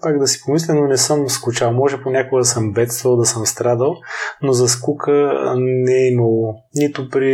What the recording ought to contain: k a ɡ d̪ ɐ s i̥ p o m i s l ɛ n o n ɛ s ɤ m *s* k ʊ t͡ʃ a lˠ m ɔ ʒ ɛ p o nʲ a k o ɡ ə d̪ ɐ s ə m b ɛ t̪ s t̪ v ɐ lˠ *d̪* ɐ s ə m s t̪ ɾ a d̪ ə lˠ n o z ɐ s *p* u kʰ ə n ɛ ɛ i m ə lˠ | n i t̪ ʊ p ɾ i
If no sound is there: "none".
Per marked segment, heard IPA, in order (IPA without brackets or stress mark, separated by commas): s, d̪, k